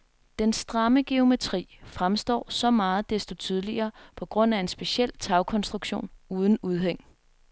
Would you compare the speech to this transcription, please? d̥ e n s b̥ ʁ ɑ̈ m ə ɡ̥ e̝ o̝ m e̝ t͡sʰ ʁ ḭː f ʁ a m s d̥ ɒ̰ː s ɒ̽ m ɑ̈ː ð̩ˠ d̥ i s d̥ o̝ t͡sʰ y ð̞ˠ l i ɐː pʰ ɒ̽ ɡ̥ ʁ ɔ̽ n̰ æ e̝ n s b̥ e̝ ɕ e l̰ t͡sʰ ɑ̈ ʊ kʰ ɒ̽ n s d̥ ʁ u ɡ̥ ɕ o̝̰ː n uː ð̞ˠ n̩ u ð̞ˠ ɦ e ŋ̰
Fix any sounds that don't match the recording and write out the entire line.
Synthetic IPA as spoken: d̥ e n s d̥ ʁ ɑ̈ m ə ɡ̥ e̝ o̝ m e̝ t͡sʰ ʁ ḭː f ʁ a m s d̥ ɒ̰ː s ɒ̽ m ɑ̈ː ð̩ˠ d̥ e s d̥ o̝ t͡sʰ y ð̞ˠ l i ɐː pʰ ɒ̽ ɡ̥ ʁ ɔ̽ n̰ æ e̝ n s b̥ e̝ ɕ e l̰ t͡sʰ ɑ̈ ʊ kʰ ɒ̽ n s d̥ ʁ u ɡ̥ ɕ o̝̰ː n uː ð̞ˠ n̩ u ð̞ˠ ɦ e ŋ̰

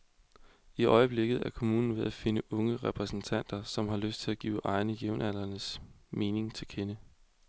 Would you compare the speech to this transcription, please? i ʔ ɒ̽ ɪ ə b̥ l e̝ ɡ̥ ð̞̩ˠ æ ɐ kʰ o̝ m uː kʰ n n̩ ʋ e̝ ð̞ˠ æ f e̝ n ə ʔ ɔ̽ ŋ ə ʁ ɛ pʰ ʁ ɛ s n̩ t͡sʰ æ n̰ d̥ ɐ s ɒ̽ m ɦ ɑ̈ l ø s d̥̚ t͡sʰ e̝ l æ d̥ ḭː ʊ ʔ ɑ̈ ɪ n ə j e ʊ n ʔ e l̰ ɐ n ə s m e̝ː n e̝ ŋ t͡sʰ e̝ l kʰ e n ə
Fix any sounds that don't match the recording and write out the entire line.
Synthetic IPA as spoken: i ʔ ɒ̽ ɪ ə b̥ l e̝ ɡ̥ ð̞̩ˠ æ ɐ kʰ o̝ m uː n n̩ ʋ e̝ ð̞ˠ æ f e̝ n ə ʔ ɔ̽ ŋ ə ʁ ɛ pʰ ʁ ɛ s n̩ t͡sʰ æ n̰ d̥ ɐ s ɒ̽ m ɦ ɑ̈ l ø s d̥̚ t͡sʰ e̝ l æ ɡ̥ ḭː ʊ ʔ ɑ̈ ɪ n ə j e ʊ n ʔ æ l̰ ɐ n ə s m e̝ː n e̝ ŋ t͡sʰ e̝ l kʰ e n ə

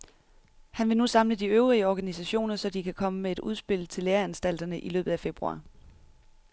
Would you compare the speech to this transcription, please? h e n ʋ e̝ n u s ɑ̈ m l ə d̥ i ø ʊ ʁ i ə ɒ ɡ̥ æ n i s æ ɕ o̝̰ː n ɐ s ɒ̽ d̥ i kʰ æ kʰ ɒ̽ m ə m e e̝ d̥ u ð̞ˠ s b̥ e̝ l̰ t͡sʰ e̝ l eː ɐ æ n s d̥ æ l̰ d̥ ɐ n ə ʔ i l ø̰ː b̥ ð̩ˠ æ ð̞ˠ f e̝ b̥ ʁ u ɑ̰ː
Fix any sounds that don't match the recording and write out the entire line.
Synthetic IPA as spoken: h æ n ʋ e̝ n u s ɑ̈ m l ə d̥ i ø ʊ ʁ i ə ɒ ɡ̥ æ n i s æ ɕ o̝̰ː n ɐ s ɒ̽ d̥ i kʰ æ kʰ ɒ̽ m ə m e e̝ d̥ u ð̞ˠ s b̥ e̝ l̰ t͡sʰ e̝ l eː ɐ æ n s d̥ æ l̰ d̥ ɐ n ə ʔ i l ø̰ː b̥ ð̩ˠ æ f e̝ b̥ ʁ u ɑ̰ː

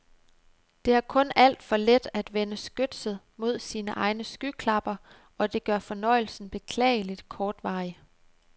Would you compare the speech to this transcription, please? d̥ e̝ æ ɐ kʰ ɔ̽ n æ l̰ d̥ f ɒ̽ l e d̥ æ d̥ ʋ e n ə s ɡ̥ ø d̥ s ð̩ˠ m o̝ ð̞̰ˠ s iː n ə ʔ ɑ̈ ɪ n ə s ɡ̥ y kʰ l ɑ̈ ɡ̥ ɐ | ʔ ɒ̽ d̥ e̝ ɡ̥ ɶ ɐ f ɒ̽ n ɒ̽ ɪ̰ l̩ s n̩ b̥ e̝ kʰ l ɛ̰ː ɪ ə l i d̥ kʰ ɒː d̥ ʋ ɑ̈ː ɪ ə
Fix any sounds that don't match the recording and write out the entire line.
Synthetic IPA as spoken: d̥ e̝ æ ɐ kʰ ɔ̽ n æ l̰ d̥ f ɒ̽ l e d̥ æ d̥ ʋ e n ə s ɡ̥ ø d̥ s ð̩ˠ m o̝ ð̞̰ˠ s iː n ə ʔ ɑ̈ ɪ n ə s ɡ̥ y kʰ l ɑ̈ b̥ ɐ | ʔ ɒ̽ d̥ e̝ ɡ̥ ɶ ɐ f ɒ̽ n ɒ̽ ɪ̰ l̩ s n̩ b̥ e̝ kʰ l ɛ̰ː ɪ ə l i d̥ kʰ ɒː d̥ ʋ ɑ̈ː ɪ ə

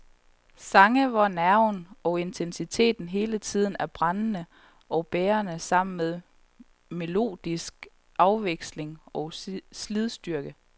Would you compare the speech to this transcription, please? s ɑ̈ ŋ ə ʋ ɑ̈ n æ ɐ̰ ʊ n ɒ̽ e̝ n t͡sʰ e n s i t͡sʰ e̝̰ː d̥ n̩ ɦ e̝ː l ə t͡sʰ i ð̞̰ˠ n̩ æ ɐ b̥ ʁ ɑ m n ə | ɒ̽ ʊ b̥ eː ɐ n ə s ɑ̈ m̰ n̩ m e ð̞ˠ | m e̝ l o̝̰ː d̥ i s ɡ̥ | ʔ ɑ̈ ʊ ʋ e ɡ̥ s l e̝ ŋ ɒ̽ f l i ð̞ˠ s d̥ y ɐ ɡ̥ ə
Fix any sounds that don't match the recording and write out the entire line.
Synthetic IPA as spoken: s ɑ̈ ŋ ə ʋ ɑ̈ n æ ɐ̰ ʊ n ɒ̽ e̝ n t͡sʰ e n s i t͡sʰ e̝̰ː d̥ n̩ ɦ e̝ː l ə t͡sʰ i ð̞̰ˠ n̩ æ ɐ b̥ ʁ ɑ n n ə | ɒ̽ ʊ b̥ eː ɐ n ə s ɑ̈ m̰ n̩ m e ð̞ˠ | m e̝ l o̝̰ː d̥ i s ɡ̥ | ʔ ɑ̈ ʊ ʋ e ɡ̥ s l e̝ ŋ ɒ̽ s l i ð̞ˠ s d̥ y ɐ ɡ̥ ə

